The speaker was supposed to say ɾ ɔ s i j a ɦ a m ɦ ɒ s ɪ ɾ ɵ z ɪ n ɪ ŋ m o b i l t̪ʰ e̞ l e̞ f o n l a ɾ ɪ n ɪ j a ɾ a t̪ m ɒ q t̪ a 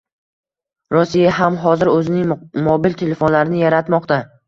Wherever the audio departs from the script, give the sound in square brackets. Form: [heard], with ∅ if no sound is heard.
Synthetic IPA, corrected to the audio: ɾ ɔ s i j a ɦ a m ɦ ɒ [z] ɪ ɾ ɵ z ɪ n ɪ ŋ m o b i l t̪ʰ e̞ l e̞ f o n l a ɾ ɪ n ɪ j a ɾ a t̪ m ɒ q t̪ a